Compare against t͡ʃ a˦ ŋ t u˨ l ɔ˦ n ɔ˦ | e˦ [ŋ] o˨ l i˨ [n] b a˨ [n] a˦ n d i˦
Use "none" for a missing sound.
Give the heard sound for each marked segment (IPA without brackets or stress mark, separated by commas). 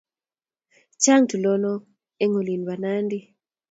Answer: ŋ, n, n